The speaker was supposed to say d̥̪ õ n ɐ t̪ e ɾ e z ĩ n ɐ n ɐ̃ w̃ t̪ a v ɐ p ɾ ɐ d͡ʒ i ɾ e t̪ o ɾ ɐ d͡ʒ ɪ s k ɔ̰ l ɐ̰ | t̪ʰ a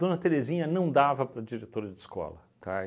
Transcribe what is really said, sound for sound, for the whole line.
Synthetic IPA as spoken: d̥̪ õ n ɐ t̪ e ɾ e z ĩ ɲ ɐ n ɐ̃ w̃ d̪ a v ɐ p ɾ ɐ d͡ʒ i ɾ e t̪ o ɾ ɐ d͡ʒ ɪ s k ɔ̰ l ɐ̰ | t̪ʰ a

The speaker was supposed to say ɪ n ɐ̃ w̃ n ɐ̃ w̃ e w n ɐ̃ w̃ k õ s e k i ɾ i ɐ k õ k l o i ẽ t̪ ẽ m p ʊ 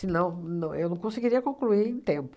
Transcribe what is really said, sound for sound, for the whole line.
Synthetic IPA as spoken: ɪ n ɐ̃ w̃ n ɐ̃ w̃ e w n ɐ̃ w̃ k õ s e ɡ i ɾ i ɐ k õ k l u i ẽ t̪ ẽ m p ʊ

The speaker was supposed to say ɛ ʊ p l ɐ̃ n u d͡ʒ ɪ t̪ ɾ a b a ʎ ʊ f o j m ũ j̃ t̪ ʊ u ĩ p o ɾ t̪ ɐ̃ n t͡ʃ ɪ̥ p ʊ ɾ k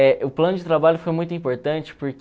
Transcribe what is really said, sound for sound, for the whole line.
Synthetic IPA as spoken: ɛ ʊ p l ɐ̃ n ʊ d͡ʒ ɪ t̪ ɾ a b a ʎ ʊ f o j m ũ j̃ t̪ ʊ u ĩ p o ɾ t̪ ɐ̃ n t͡ʃ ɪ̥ p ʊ ɾ k

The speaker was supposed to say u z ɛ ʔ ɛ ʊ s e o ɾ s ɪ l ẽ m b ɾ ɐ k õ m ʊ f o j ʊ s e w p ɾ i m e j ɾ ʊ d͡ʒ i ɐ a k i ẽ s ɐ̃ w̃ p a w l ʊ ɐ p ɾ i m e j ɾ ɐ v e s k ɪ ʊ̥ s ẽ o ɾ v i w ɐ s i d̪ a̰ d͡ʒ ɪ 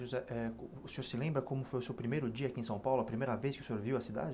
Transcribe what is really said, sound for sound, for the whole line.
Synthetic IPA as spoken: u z ɛ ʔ ɛ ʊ s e o ɾ s ɪ l ẽ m b ɾ ɐ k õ m ʊ f o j ʊ s e w p ɾ i m e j ɾ ʊ d͡ʒ i ɐ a k i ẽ s ɐ̃ w̃ p a w l ʊ ɐ p ɾ i m e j ɾ ɐ v e s k ɪ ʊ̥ s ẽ o ɾ v i w ɐ s i d̪ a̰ d͡ʒ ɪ

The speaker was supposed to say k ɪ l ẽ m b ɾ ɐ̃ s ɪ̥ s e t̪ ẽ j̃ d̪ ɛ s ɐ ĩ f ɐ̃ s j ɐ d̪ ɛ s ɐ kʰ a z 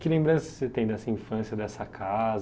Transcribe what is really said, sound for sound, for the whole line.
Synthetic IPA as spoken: k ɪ l ẽ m b ɾ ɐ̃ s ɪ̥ s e t̪ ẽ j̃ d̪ ɛ s ɐ ĩ f ɐ̃ s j ɐ d̪ ɛ s ɐ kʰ a z

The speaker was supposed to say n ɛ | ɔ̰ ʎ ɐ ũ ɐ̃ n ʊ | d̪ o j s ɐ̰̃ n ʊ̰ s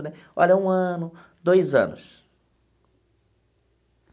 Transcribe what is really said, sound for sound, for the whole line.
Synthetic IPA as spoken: n ɛ | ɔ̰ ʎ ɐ ũ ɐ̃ n ʊ | d̪ o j z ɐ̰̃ n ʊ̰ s

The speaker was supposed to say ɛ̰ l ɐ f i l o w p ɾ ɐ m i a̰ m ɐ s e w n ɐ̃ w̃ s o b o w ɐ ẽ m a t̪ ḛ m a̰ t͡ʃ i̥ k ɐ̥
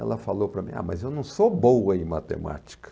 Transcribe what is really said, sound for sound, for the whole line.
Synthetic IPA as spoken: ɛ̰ l ɐ f a l o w p ɾ ɐ m ĩ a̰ m ɐ z e w n ɐ̃ w̃ s o b o w ɐ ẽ m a t̪ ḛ m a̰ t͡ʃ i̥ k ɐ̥

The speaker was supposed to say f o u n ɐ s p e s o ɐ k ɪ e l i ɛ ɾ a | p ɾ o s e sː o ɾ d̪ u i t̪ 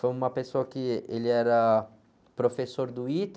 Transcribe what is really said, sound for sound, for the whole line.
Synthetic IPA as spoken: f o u m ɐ p e s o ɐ k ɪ e l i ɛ ɾ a | p ɾ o f e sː o ɾ d̪ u i t̪

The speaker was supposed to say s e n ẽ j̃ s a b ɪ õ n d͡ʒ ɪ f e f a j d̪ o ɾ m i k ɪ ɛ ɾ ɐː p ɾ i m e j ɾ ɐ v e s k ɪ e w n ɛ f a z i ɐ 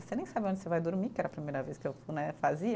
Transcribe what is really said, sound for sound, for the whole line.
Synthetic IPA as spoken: s e n ẽ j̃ s a b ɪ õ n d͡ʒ ɪ s e v a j d̪ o ɾ m i k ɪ ɛ ɾ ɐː p ɾ i m e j ɾ ɐ v e s k ɪ e w n ɛ f a z i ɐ

